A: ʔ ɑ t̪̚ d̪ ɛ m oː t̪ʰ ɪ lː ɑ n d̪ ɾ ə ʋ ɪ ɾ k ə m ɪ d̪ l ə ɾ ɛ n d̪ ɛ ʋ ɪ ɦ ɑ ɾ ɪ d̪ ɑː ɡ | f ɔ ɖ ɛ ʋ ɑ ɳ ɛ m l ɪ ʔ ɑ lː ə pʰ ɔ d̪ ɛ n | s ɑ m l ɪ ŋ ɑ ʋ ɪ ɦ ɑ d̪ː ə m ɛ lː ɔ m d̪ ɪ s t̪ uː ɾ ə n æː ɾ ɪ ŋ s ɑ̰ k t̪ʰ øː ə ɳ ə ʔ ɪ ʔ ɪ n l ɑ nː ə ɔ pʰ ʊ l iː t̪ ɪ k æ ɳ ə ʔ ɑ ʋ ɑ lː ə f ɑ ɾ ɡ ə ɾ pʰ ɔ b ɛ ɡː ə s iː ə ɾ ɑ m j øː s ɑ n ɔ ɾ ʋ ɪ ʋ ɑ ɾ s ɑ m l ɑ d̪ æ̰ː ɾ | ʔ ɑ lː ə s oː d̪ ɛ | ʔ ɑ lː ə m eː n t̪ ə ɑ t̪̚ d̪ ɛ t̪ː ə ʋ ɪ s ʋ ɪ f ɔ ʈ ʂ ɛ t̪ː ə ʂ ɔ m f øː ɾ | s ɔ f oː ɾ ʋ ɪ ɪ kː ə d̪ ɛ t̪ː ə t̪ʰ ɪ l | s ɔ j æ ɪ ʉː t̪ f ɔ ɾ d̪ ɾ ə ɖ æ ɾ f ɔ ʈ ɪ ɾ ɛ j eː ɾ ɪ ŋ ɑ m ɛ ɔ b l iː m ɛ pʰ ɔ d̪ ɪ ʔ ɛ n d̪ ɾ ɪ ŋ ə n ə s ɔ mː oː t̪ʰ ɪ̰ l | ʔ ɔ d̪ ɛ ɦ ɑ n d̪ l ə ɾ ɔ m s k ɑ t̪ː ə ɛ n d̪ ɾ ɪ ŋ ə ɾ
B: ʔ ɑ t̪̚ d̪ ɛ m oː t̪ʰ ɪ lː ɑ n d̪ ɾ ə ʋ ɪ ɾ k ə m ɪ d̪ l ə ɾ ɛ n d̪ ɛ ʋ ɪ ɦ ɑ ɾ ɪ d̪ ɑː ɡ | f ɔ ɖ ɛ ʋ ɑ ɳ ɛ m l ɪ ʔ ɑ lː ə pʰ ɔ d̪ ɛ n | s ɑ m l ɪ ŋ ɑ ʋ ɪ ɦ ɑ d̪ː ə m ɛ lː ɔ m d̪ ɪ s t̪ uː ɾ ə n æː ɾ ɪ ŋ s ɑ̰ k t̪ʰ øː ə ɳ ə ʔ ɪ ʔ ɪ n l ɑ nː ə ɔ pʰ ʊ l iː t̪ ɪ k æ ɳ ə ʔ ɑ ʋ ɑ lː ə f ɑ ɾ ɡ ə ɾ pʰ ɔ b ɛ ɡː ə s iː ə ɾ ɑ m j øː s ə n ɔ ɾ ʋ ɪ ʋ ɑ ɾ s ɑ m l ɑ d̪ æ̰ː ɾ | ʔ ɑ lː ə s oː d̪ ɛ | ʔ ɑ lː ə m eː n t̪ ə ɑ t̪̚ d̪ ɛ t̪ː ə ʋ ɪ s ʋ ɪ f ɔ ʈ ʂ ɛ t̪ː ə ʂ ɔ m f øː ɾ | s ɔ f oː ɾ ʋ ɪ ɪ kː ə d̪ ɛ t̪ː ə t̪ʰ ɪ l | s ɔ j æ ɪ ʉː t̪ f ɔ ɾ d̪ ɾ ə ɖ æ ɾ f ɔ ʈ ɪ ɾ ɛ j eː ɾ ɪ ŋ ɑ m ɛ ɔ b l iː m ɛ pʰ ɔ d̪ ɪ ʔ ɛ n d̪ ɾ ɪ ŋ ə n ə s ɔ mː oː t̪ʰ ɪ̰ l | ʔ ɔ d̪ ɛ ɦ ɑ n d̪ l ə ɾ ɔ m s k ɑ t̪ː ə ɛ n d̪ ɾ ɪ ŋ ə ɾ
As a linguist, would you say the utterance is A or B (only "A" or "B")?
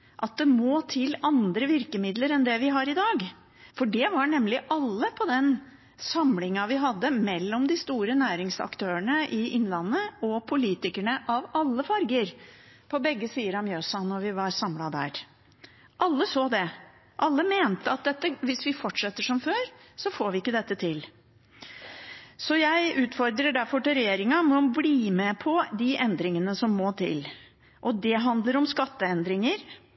A